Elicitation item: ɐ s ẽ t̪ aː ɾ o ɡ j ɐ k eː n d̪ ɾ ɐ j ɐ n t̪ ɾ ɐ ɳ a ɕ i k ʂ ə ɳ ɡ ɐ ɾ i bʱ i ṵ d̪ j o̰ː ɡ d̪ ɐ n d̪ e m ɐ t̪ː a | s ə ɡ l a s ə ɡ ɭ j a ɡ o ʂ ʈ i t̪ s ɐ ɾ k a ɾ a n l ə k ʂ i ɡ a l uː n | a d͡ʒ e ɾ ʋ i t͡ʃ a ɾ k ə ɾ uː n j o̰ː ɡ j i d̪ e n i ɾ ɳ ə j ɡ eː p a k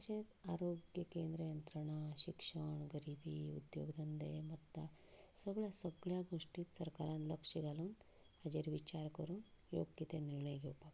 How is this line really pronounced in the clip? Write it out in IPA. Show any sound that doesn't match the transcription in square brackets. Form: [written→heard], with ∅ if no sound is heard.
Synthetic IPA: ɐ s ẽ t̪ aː ɾ o ɡ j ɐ k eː n d̪ ɾ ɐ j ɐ n t̪ ɾ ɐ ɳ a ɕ i k ʂ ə ɳ ɡ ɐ ɾ i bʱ i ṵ d̪ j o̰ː ɡ d̪ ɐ n d̪ e m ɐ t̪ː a | s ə ɡ [l→ɭ] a s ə ɡ ɭ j a ɡ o ʂ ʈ i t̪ s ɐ ɾ k a ɾ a n l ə k ʂ i ɡ a l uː n | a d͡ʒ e ɾ ʋ i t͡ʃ a ɾ k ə ɾ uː n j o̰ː ɡ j i [d̪→t̪] e n i ɾ ɳ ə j ɡ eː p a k